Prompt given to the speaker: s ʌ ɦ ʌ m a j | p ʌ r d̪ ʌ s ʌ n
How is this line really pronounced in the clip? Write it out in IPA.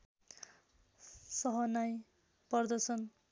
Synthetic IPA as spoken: s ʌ ɦ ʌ n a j | p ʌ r d̪ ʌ s ʌ n